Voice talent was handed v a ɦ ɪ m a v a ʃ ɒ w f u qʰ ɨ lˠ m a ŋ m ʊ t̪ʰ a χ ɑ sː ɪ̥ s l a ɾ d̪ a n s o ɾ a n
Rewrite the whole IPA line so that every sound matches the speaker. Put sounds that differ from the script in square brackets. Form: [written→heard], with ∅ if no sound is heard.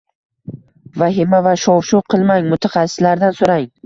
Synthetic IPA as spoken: v a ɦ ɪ m a v a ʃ ɒ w [f→ʃ] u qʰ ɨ lˠ m a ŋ m ʊ t̪ʰ a χ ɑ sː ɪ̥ s l a ɾ d̪ a n s o ɾ a [n→ŋ]